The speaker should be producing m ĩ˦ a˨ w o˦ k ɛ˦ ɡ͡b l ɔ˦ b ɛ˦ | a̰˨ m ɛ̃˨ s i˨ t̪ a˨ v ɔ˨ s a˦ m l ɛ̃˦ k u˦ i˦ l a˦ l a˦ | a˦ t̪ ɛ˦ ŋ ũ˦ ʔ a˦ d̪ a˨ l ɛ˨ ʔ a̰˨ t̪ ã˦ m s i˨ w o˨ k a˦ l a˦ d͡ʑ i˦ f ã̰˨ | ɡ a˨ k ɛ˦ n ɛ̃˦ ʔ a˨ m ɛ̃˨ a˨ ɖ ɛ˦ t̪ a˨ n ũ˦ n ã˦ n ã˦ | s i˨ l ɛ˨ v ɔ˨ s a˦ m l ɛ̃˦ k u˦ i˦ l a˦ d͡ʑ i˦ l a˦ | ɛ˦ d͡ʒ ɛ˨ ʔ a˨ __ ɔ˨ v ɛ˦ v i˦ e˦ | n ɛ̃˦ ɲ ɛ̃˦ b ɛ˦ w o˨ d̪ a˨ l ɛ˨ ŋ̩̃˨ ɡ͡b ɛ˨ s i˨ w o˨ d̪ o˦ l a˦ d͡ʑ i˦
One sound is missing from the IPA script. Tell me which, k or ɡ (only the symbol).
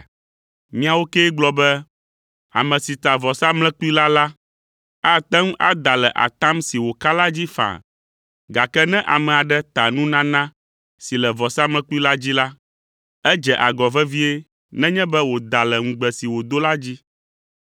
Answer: ɡ